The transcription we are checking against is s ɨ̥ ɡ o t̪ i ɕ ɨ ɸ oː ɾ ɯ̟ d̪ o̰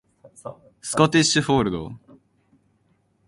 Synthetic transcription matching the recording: s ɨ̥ k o t̪ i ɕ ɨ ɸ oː ɾ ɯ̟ d̪ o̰